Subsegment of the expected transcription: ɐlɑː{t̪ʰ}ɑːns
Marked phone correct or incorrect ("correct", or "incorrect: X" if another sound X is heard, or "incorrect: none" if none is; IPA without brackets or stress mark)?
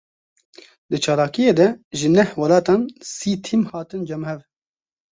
incorrect: t̪